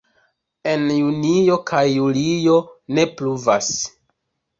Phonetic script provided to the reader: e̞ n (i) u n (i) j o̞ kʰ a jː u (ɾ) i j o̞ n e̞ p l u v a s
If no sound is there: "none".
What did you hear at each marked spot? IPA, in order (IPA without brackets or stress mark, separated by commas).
j, i, l